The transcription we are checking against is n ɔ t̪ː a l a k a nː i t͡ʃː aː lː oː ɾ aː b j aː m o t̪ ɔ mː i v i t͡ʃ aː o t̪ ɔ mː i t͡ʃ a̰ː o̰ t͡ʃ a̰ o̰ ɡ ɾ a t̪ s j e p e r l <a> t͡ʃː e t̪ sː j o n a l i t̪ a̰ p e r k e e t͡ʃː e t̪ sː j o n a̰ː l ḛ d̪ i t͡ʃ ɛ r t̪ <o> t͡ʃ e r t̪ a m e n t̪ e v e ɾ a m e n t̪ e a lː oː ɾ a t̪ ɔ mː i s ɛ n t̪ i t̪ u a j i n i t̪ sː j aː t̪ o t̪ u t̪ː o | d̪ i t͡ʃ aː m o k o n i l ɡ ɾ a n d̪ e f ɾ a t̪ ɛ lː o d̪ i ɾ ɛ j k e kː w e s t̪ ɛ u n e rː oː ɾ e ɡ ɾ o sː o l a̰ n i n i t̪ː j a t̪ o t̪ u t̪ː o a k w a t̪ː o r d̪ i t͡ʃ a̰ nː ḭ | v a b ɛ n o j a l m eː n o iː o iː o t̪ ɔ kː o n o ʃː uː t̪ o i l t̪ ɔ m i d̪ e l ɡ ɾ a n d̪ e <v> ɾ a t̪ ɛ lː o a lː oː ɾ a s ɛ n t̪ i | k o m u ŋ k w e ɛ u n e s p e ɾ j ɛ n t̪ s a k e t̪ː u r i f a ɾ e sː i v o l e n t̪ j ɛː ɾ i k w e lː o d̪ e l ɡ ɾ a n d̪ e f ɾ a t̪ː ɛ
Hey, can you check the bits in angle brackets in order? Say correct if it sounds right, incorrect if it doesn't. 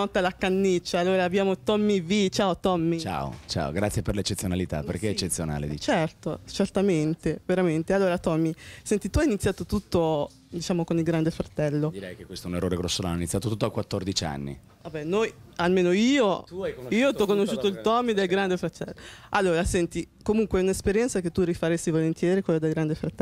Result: incorrect: e, correct, incorrect: f

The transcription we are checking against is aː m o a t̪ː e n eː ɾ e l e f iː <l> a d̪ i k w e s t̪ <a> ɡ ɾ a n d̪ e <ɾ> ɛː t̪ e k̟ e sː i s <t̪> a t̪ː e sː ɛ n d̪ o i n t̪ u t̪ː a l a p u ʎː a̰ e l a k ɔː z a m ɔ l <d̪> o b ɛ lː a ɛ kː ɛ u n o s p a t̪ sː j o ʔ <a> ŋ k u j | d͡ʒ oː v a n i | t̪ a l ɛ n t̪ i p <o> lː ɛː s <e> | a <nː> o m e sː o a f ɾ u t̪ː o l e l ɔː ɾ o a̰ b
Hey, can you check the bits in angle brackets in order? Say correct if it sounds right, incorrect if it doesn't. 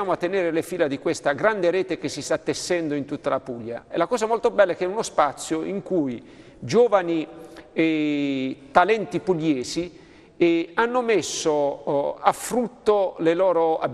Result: correct, correct, correct, correct, incorrect: t̪, incorrect: i, incorrect: u, incorrect: i, correct

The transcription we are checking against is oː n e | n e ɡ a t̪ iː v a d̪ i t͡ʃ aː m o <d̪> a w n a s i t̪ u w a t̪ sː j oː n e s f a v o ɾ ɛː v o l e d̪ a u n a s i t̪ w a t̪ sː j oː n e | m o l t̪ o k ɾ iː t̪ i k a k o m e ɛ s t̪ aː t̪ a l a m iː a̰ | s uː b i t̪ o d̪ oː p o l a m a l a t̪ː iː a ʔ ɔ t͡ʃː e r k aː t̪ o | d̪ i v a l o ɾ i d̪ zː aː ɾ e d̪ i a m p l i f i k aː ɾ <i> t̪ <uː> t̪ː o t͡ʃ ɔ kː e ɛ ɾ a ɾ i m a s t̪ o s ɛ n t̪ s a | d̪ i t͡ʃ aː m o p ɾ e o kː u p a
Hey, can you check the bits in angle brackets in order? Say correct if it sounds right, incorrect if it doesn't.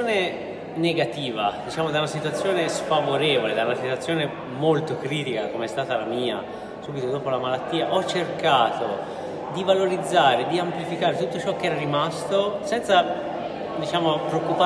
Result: correct, incorrect: e, incorrect: u

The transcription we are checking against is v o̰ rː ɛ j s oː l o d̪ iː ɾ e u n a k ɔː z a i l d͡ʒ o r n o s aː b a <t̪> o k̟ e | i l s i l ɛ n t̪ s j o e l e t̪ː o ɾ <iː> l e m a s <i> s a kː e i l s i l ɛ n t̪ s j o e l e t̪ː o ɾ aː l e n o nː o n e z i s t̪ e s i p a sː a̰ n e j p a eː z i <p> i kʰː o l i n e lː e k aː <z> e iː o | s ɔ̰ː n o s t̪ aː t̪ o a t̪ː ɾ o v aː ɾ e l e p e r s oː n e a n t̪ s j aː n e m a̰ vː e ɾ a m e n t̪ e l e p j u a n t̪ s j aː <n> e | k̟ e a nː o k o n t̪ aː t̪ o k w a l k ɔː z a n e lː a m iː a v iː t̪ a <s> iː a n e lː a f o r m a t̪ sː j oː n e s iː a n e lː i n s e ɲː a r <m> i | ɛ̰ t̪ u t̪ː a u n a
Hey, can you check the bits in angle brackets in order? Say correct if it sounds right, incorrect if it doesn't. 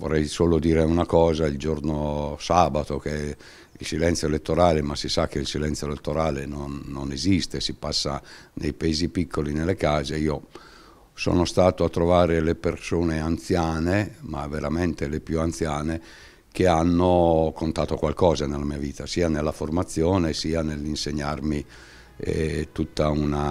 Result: correct, incorrect: aː, correct, correct, correct, correct, correct, correct

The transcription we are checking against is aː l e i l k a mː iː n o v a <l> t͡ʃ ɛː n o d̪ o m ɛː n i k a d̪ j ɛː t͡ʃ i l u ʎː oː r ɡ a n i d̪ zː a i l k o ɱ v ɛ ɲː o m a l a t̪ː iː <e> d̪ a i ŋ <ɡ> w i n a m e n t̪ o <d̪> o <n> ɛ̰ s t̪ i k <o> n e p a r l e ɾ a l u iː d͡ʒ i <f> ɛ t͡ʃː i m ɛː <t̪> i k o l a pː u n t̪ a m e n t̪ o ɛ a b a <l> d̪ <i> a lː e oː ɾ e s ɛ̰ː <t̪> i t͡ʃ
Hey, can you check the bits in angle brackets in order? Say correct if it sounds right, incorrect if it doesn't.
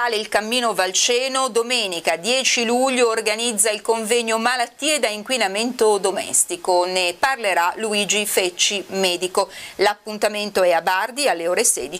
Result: correct, correct, incorrect: k, correct, incorrect: m, correct, correct, incorrect: d̪, incorrect: r, correct, incorrect: d̪

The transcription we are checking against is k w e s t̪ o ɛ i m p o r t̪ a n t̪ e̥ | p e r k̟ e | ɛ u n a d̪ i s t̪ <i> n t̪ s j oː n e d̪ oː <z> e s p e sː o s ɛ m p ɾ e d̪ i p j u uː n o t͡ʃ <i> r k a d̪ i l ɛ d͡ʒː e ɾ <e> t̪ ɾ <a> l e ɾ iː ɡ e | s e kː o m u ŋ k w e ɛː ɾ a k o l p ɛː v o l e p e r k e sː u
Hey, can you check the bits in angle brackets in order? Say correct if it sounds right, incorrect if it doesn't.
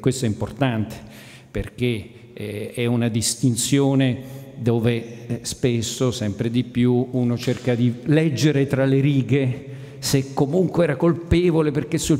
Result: correct, incorrect: v, incorrect: e, correct, correct

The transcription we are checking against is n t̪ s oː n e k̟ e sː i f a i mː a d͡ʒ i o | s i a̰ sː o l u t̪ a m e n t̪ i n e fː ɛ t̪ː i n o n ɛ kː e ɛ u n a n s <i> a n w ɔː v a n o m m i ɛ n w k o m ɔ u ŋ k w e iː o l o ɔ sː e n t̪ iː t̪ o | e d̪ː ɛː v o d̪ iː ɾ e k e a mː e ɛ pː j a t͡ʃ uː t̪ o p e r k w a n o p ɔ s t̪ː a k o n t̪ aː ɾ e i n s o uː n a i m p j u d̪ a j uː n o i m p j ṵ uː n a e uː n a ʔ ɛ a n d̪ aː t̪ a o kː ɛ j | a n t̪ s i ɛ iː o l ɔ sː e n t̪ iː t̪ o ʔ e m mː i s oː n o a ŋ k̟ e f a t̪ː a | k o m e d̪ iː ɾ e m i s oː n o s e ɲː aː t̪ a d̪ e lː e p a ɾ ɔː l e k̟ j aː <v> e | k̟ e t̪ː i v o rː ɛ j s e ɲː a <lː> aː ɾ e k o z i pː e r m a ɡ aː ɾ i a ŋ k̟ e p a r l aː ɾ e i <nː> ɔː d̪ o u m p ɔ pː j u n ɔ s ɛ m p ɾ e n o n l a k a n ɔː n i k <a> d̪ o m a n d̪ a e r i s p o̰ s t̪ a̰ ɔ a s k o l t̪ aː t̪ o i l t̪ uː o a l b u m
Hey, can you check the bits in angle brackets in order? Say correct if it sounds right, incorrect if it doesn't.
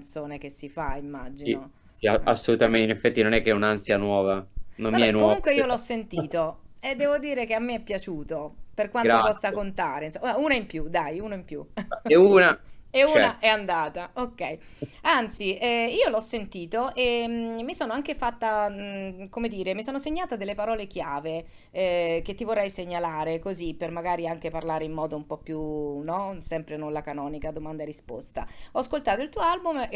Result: incorrect: j, correct, incorrect: l, incorrect: mː, correct

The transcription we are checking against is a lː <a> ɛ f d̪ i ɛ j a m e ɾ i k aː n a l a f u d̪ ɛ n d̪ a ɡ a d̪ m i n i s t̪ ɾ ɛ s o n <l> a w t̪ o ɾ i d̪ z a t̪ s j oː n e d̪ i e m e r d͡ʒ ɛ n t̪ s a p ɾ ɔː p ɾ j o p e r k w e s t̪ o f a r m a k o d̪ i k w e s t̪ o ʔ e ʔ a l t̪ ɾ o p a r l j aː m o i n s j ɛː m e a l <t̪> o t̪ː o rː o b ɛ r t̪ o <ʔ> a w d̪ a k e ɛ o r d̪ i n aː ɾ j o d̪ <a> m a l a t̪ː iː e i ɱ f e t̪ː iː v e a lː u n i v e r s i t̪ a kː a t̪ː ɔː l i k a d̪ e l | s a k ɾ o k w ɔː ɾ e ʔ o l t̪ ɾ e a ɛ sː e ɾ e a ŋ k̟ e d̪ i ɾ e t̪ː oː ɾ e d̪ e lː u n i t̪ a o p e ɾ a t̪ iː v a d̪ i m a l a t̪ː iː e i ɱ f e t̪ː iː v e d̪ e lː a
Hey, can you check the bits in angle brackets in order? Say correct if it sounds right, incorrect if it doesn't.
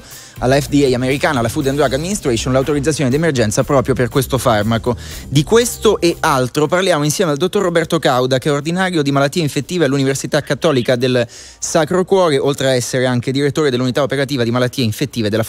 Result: correct, correct, incorrect: d̪, incorrect: k, incorrect: i

